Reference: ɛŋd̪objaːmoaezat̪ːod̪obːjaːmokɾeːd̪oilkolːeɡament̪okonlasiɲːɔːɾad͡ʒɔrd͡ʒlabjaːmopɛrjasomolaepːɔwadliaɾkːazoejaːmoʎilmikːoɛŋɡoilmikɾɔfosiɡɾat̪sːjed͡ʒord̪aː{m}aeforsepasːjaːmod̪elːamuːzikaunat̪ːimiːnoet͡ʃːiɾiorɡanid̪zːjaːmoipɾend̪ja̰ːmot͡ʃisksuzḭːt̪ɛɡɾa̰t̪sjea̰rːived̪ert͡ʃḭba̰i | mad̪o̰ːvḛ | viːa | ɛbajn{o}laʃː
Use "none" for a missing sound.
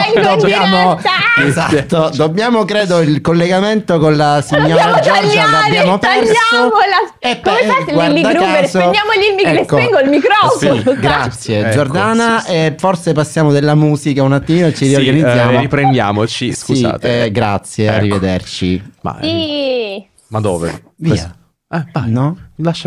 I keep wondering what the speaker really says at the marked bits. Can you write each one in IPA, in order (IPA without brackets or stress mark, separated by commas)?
n, ɔ